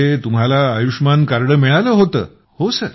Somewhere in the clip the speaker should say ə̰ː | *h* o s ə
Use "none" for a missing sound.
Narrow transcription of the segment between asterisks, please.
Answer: h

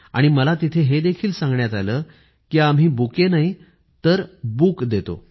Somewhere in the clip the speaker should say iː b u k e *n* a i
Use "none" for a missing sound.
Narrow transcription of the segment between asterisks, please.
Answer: n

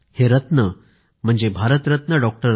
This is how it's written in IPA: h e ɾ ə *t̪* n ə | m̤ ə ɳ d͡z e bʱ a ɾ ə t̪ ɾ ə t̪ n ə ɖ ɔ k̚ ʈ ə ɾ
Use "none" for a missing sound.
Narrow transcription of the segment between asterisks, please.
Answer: t̪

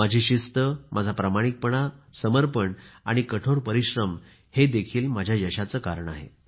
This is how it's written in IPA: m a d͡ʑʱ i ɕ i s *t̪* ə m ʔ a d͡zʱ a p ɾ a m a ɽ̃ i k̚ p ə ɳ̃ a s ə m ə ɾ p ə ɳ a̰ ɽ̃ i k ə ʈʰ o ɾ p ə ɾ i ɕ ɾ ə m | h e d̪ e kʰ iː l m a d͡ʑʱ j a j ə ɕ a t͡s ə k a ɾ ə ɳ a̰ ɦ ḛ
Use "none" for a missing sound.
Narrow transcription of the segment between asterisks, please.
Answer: t̪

